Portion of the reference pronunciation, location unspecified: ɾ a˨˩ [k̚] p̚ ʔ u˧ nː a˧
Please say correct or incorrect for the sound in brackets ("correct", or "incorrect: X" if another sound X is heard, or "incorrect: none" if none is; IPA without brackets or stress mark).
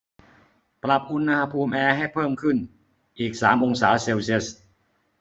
incorrect: none